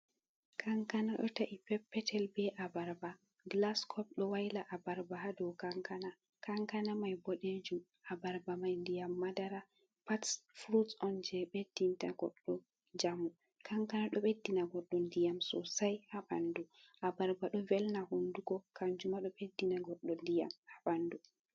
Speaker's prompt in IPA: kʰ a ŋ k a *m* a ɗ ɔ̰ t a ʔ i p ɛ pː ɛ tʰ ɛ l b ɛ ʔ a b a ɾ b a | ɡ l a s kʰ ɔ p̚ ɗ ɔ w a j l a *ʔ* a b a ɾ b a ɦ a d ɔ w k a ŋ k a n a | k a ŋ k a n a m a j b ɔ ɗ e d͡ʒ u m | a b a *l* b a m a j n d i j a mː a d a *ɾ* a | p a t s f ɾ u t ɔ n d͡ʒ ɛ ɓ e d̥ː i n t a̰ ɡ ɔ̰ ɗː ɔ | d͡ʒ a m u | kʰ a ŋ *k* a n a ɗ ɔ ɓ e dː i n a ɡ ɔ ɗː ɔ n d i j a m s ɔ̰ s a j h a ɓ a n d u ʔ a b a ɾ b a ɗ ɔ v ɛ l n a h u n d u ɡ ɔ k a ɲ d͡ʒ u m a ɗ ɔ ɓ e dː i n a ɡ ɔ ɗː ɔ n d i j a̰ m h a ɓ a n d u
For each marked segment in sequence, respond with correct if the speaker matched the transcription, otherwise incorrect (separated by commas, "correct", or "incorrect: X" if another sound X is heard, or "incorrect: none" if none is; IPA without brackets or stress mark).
incorrect: n, correct, incorrect: ɾ, correct, correct